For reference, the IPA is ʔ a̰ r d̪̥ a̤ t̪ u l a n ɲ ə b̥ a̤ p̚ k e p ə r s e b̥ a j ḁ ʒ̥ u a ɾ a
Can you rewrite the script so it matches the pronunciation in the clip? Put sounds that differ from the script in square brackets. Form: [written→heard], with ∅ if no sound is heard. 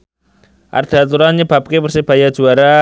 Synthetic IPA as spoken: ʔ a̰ r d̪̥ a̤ t̪ u [l→ɾ] a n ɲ ə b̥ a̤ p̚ k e p ə r s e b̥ a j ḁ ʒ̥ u a ɾ a